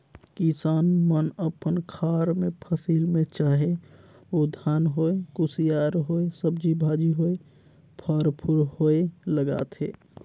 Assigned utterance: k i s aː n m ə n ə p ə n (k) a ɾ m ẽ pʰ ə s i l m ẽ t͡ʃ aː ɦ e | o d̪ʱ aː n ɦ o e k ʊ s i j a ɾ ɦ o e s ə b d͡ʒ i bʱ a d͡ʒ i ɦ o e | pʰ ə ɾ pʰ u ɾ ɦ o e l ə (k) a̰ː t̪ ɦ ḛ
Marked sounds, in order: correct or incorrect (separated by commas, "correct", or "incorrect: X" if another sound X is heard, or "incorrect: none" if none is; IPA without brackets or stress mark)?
incorrect: kʰ, incorrect: ɡ